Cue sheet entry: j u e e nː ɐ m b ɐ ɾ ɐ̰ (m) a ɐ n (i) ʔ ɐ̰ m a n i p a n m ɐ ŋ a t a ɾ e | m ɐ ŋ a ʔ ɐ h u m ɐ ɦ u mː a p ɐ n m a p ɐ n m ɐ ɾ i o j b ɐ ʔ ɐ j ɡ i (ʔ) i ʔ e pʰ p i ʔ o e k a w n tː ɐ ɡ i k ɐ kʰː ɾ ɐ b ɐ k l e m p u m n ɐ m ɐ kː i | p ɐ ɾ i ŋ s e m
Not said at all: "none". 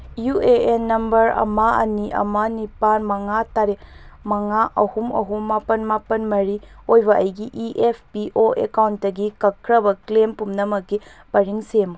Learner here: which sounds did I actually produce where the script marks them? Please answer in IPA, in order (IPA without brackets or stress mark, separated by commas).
m, i, ʔ